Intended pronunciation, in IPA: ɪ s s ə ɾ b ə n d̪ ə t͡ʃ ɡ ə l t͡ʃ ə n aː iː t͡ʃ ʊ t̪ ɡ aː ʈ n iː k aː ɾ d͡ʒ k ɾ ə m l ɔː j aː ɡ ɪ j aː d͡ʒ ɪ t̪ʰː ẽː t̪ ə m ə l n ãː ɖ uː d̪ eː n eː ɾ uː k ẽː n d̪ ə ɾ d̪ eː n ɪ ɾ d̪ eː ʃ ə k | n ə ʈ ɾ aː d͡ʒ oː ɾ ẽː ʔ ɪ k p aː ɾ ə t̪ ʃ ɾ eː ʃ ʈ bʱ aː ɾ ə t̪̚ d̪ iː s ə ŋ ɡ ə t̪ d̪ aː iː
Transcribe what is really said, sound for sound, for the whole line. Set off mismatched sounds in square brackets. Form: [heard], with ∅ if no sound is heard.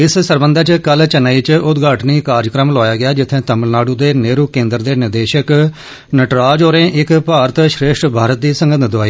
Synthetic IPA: ɪ s s ə ɾ b ə n d̪ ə t͡ʃ [k] ə l t͡ʃ ə n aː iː t͡ʃ ʊ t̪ ɡ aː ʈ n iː k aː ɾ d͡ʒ k ɾ ə m l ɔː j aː ɡ ɪ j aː d͡ʒ ɪ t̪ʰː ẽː t̪ ə m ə l n [aː] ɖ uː d̪ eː n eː ɾ uː k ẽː n d̪ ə ɾ d̪ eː n ɪ ɾ d̪ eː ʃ ə k | n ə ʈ ɾ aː d͡ʒ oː ɾ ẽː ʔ ɪ k p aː ɾ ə t̪ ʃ ɾ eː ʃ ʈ bʱ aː ɾ ə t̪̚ d̪ iː s ə ŋ ɡ ə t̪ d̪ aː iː